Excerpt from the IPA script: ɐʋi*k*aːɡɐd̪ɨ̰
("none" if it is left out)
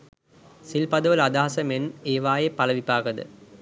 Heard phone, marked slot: p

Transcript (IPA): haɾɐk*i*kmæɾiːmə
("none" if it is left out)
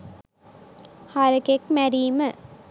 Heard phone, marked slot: e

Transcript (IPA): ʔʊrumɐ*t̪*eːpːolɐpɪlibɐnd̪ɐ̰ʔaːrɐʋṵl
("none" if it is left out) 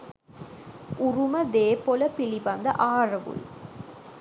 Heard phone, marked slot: d̪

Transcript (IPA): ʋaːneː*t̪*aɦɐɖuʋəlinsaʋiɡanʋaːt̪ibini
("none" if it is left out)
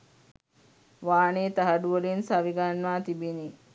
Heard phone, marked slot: t̪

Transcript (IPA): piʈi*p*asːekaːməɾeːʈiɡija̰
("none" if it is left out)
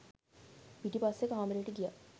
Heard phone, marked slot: p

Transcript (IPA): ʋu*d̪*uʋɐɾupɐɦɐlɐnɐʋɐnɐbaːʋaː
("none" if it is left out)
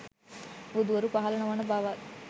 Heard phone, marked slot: d̪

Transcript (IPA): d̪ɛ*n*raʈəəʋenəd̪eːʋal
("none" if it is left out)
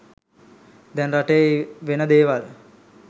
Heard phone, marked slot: n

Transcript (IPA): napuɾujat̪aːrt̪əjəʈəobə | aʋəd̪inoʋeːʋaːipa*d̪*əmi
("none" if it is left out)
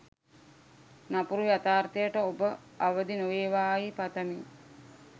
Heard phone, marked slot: t̪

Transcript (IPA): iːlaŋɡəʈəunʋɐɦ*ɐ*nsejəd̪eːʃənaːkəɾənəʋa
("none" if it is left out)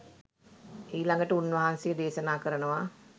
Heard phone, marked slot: a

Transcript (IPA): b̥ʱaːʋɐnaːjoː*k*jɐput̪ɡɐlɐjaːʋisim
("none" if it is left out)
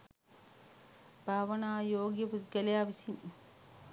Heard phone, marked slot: ɡ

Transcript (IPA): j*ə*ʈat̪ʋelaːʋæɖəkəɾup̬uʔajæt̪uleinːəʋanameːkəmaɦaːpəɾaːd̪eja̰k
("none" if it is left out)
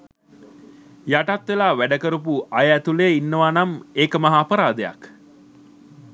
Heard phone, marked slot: a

